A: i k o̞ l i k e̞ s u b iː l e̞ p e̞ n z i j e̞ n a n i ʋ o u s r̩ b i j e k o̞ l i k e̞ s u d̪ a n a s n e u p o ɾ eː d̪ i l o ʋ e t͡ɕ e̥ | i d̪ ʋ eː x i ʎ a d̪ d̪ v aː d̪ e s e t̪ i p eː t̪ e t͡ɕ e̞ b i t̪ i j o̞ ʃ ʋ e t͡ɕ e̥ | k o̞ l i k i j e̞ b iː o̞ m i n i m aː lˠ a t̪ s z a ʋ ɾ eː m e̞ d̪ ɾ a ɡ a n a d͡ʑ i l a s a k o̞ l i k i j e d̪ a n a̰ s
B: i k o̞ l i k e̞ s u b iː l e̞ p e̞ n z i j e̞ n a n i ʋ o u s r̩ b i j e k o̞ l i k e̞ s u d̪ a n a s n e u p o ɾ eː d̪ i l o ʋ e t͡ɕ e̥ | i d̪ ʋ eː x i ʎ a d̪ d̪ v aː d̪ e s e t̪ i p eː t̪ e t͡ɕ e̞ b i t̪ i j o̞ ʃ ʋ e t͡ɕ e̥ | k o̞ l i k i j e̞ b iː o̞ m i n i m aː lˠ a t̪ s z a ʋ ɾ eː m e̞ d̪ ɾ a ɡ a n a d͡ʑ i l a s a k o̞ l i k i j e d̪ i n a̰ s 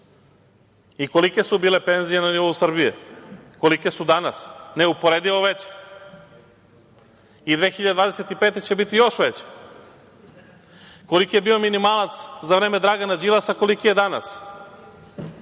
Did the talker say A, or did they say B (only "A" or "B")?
A